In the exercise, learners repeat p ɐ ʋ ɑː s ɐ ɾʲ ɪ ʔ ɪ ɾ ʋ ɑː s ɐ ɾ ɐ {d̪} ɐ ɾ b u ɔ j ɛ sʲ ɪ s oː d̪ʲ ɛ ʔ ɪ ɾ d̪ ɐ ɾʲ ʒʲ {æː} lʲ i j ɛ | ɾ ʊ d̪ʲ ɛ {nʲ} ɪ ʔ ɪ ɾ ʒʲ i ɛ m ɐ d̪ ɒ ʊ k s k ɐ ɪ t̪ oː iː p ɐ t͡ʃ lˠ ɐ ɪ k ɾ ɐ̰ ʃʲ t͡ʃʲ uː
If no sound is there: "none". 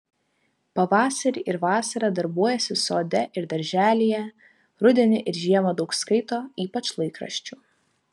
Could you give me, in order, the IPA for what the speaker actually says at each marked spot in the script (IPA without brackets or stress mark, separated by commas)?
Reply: d̪, æː, nʲ